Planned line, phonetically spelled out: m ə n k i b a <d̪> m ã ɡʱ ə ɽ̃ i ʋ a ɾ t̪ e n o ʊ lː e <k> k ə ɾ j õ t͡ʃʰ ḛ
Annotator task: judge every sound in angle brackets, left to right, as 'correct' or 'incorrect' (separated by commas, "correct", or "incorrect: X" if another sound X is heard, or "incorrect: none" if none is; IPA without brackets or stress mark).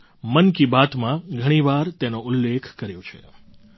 incorrect: t̪, incorrect: kʰ